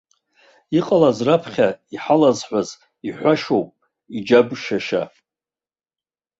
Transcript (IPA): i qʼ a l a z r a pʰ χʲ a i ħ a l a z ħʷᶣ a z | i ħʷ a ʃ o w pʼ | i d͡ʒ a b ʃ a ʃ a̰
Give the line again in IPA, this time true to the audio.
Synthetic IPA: i qʼ a l a z r a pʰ χʲ a i ħ a l a z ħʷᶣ a z | i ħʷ a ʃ o w pʼ | i d͡ʒ a b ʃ a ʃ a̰